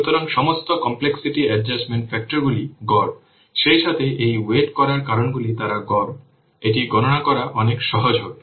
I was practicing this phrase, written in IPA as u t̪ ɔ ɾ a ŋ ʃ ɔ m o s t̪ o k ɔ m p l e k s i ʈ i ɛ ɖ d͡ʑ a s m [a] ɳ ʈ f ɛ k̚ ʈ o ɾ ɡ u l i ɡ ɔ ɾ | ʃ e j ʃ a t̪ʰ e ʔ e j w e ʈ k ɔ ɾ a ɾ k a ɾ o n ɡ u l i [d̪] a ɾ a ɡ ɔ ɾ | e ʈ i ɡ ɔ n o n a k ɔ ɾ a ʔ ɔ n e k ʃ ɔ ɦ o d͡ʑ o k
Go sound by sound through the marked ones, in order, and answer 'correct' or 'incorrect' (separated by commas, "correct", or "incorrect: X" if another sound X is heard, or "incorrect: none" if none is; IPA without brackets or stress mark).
incorrect: e, incorrect: t̪